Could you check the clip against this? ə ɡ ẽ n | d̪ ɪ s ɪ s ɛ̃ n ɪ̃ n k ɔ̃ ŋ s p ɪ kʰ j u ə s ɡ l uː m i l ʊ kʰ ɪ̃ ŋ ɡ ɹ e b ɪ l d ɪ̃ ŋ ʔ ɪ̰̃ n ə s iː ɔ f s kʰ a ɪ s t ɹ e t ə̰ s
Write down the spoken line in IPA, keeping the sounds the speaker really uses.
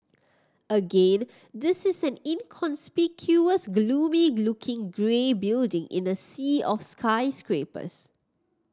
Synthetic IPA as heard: ə ɡ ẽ n | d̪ ɪ s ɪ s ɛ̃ n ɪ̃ n kʰ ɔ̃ n s p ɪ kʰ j u ə s ɡ l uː m i l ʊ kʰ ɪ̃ ŋ ɡ ɹ e b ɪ l d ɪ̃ ŋ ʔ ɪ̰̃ n ə s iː ɔ f s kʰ a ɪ s k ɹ e p ə̰ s